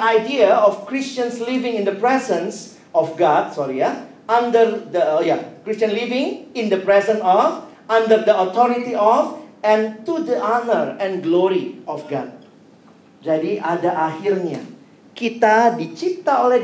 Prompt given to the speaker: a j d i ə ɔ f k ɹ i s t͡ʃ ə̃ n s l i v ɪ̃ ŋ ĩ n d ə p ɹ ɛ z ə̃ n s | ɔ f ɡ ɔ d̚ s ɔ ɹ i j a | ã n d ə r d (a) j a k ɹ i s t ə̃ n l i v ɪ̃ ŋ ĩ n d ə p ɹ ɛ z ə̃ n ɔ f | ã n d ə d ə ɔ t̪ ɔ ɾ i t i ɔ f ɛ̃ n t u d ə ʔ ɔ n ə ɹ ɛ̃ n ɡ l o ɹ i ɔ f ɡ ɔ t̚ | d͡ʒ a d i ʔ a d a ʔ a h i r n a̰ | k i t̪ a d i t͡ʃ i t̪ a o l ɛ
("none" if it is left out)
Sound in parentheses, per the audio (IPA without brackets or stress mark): ə